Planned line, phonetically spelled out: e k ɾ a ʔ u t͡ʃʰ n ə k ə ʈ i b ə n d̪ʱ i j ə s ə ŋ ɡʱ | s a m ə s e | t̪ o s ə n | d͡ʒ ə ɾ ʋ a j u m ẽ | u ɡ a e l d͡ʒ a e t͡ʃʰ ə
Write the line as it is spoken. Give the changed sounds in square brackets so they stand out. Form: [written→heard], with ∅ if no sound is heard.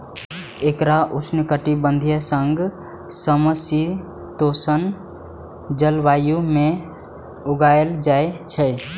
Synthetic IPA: e k ɾ a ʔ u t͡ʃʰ n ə k ə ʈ i b ə n d̪ʱ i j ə s ə ŋ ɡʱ | s [a→ə] m ə s [e→i] | t̪ o s ə n | d͡ʒ ə [ɾ→l] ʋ a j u m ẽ | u ɡ a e l d͡ʒ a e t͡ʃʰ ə

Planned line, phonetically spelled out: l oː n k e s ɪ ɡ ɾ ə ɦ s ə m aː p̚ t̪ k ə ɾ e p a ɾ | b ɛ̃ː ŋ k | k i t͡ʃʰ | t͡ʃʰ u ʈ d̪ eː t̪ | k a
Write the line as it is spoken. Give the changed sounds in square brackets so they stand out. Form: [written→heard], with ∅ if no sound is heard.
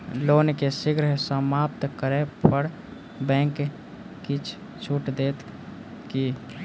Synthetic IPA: l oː n k e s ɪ ɡ ɾ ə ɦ s ə m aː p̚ t̪ k ə ɾ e p [a→ə] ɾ | b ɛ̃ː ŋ k | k i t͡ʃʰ | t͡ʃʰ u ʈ d̪ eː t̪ | k [a→i]

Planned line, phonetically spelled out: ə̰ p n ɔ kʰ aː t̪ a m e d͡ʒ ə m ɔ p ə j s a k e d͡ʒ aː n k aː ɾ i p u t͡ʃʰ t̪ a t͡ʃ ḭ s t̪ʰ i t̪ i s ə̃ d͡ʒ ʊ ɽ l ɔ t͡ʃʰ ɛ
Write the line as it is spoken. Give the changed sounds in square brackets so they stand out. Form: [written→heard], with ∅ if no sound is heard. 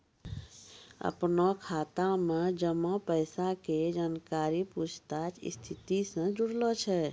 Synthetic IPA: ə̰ p n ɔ kʰ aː t̪ a m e d͡ʒ ə m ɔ p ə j s a k e d͡ʒ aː n k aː ɾ i p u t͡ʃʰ t̪ a t͡ʃ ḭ s t̪ʰ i t̪ i s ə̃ d͡ʒ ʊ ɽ l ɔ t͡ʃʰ ɛ

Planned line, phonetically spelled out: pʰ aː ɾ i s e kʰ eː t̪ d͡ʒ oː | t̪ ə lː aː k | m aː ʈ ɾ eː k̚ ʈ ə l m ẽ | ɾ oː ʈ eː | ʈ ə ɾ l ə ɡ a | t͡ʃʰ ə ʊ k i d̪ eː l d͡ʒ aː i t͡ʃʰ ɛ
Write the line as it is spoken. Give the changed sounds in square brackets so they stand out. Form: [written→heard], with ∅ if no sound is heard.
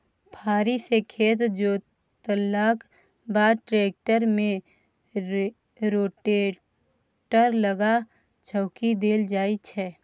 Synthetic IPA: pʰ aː ɾ i s e kʰ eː t̪ d͡ʒ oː | t̪ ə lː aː k | [m→b] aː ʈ ɾ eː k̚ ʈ ə [l→ɾ] m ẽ | ɾ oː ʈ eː | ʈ ə ɾ l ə ɡ a | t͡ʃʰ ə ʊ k i d̪ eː l d͡ʒ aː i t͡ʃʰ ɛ

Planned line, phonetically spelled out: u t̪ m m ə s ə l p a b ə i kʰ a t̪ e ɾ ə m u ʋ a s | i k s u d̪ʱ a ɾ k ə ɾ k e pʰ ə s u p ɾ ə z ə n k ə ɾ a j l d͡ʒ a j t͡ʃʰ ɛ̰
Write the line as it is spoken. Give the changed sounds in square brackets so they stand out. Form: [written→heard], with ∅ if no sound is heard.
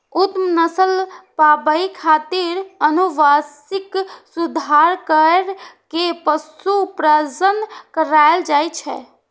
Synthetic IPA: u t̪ m [m→n] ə s ə l p a b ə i kʰ a t̪ [e→i] ɾ ə [m→n] u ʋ a s | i k s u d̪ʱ a ɾ k ə ɾ k e [pʰ→p] ə s u p ɾ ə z ə n k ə ɾ a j l d͡ʒ a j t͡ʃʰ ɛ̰

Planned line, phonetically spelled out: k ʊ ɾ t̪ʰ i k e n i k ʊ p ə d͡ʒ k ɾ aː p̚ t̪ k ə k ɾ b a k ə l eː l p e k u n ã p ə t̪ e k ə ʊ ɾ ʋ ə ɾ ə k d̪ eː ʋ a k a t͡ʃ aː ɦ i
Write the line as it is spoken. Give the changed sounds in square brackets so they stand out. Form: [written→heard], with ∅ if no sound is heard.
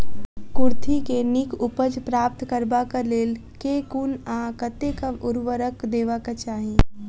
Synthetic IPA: k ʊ ɾ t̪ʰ i k e n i k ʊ p ə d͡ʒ [k→p] ɾ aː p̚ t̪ k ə [k→∅] ɾ b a k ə l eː l [p→k] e k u n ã [p→k] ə t̪ e k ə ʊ ɾ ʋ ə ɾ ə k d̪ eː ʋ a k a t͡ʃ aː ɦ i

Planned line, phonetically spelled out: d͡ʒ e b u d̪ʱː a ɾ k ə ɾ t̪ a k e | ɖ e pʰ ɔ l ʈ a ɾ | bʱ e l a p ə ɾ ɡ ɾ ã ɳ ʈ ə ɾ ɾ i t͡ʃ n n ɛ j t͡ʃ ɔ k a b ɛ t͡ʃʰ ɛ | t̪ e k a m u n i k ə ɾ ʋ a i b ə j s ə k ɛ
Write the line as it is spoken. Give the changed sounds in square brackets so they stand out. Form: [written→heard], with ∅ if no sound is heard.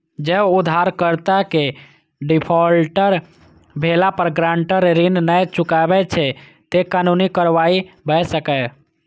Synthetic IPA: d͡ʒ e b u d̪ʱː a ɾ k ə ɾ t̪ a k e | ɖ [e→i] pʰ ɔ l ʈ [a→ə] ɾ | bʱ e l a p ə ɾ ɡ ɾ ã ɳ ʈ ə ɾ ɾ i [t͡ʃ→∅] n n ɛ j t͡ʃ [ɔ→u] k a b ɛ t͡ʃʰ ɛ | t̪ e k a [m→n] u n i k ə ɾ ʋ a i b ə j s ə k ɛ

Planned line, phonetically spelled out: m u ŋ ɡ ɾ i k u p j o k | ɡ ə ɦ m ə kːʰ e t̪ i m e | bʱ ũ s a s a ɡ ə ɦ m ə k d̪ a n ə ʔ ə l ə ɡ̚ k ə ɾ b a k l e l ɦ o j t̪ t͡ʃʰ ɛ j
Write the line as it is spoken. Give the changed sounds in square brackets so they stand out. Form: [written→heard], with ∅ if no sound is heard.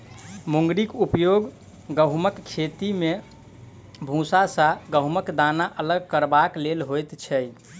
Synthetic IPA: m u ŋ ɡ ɾ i k u p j o [k→ɡ] | ɡ ə ɦ m ə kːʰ e t̪ i m e | bʱ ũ s a s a ɡ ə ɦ m ə k d̪ a n [ə→a] ʔ ə l ə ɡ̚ k ə ɾ b a k l e l ɦ o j t̪ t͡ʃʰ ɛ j

